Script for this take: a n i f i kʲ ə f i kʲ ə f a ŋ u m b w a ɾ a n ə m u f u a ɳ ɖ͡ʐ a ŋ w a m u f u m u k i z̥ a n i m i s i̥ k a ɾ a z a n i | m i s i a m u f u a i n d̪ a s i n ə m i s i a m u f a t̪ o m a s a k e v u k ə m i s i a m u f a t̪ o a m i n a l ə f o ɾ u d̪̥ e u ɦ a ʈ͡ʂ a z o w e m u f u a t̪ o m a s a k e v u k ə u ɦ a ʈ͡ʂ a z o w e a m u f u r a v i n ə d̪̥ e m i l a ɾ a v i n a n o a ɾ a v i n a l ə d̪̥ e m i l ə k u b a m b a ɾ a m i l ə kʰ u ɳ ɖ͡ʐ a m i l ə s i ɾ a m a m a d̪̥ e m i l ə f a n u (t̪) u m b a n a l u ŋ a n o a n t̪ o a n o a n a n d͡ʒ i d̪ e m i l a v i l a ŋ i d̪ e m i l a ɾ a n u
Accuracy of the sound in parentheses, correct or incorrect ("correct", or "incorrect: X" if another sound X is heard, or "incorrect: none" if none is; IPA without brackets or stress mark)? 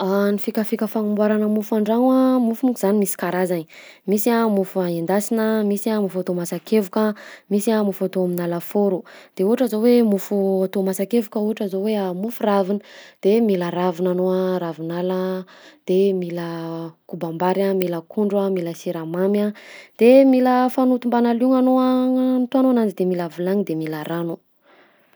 correct